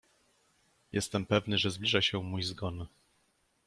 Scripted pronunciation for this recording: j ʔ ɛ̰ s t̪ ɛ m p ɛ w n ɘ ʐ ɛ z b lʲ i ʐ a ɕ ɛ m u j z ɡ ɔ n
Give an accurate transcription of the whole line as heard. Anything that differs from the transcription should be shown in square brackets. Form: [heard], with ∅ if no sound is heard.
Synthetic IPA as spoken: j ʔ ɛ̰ s t̪ ɛ m p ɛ [v] n ɘ ʐ ɛ z b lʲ i ʐ a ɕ ɛ m u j z ɡ ɔ n